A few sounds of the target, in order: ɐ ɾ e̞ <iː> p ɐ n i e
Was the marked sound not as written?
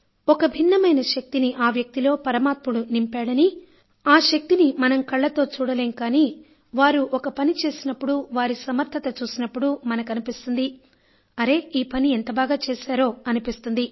no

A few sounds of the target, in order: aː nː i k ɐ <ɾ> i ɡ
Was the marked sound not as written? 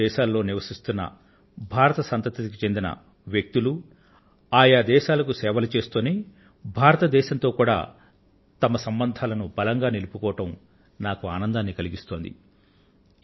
yes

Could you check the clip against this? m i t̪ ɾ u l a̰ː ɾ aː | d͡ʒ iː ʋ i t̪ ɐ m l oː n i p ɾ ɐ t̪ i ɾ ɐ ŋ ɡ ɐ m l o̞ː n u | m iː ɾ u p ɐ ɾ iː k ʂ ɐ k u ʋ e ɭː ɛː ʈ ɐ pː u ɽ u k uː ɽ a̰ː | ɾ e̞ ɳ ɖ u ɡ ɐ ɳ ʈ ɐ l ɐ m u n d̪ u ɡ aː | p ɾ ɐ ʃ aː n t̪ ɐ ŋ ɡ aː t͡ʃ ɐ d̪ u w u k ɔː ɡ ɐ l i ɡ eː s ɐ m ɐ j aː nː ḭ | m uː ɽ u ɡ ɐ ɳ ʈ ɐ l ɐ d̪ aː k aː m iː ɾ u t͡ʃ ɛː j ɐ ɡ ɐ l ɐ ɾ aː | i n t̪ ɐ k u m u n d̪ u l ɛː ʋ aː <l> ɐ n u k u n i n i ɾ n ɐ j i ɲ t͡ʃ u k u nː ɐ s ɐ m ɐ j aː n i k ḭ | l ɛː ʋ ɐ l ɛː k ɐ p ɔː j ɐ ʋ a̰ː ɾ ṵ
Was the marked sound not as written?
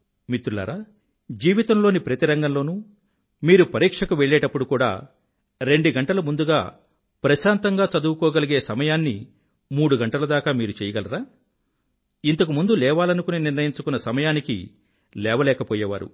no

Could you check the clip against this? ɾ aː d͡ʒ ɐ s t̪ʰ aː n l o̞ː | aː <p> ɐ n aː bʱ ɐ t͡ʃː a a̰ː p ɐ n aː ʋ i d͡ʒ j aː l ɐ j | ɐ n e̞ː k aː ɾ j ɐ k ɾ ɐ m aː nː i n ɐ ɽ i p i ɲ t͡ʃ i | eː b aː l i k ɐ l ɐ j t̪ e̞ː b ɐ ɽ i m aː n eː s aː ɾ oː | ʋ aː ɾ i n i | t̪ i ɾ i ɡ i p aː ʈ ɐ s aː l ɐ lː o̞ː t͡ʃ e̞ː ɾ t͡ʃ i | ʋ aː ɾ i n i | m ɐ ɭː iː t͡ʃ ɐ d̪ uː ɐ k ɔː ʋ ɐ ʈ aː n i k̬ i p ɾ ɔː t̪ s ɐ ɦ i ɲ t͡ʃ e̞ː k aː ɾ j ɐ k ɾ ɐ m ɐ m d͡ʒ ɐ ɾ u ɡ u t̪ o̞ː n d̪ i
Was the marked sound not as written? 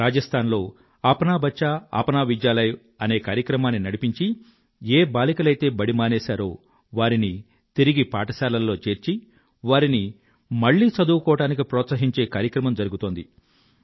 no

